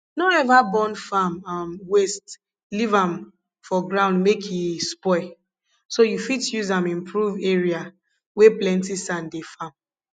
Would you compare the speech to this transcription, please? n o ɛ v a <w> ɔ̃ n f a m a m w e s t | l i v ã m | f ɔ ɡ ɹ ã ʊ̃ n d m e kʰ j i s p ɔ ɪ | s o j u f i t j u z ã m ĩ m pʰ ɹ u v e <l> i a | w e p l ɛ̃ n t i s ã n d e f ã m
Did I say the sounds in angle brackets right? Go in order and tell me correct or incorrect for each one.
incorrect, incorrect

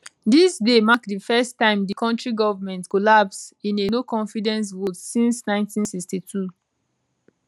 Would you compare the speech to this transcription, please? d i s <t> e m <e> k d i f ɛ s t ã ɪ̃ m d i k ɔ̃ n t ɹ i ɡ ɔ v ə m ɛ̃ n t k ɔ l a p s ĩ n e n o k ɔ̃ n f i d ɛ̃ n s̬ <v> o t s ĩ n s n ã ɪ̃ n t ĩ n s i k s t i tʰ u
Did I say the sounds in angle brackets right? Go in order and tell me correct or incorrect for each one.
incorrect, incorrect, correct

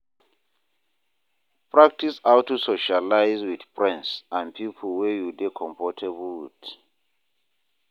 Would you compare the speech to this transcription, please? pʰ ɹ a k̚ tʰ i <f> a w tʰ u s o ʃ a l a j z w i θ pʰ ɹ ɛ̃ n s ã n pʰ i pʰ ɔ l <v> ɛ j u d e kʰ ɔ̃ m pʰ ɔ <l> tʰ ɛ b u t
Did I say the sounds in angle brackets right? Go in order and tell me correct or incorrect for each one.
incorrect, incorrect, incorrect

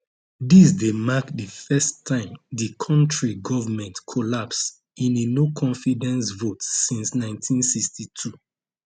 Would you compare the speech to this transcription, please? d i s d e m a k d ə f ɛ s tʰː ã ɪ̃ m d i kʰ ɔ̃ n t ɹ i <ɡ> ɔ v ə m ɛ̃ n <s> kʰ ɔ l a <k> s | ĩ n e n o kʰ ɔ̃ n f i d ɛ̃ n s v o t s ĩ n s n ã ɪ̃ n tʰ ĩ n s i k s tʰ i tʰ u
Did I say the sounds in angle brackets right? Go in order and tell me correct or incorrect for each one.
correct, incorrect, incorrect

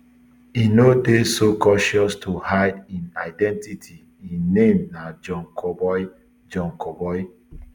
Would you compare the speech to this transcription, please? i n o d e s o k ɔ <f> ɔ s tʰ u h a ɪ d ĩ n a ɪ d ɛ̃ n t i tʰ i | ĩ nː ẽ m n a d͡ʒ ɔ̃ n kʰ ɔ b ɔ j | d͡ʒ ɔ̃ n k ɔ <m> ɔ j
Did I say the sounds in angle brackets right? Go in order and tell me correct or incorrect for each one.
incorrect, incorrect

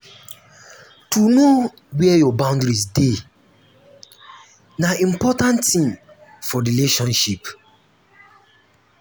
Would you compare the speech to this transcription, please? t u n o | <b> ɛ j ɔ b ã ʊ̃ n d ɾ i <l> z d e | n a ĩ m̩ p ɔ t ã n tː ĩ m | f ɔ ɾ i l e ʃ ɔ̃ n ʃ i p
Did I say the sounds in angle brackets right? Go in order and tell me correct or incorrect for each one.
incorrect, incorrect

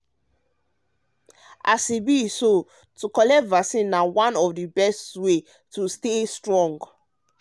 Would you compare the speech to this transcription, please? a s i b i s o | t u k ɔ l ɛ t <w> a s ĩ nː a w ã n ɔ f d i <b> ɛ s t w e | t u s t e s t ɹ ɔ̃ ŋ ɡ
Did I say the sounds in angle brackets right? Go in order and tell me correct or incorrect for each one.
incorrect, correct

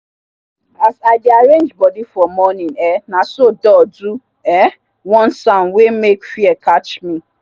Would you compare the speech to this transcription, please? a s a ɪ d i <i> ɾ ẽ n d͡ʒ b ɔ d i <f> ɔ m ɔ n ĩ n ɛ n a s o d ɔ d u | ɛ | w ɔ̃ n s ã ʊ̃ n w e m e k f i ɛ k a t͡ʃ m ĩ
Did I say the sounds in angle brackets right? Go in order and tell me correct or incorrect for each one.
incorrect, correct

